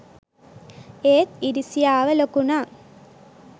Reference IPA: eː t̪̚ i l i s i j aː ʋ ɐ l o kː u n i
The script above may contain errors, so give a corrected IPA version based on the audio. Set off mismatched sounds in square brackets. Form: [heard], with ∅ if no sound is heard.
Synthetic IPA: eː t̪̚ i [ɾ] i s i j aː ʋ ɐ l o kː u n [a]